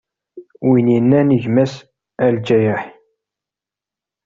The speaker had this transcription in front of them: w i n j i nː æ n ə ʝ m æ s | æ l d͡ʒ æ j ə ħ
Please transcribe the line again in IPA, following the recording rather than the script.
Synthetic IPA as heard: w i n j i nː æ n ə ʝ m æ s | æ l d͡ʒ æ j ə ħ